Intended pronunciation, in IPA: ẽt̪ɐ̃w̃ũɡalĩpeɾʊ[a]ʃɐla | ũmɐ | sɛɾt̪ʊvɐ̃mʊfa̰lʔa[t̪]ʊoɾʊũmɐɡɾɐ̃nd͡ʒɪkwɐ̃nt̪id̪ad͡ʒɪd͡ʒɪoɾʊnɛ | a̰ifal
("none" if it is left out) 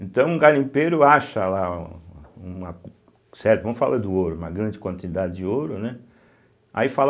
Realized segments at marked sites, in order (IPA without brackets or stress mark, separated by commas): a, d̪